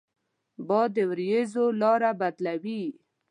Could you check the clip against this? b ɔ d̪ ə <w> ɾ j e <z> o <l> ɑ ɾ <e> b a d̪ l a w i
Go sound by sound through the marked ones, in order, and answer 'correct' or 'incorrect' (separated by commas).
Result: correct, correct, correct, incorrect